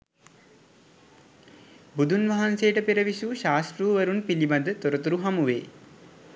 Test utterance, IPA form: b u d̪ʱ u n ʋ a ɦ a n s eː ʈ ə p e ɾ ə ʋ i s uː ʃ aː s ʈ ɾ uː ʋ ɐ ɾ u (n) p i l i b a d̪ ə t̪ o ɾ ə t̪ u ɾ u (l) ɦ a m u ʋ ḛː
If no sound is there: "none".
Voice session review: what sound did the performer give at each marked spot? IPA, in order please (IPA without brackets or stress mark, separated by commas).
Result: n, none